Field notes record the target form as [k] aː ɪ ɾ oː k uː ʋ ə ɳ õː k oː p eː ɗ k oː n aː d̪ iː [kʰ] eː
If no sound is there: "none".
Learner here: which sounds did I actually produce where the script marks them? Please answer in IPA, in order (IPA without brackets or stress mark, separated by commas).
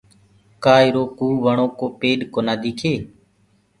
k, kʰ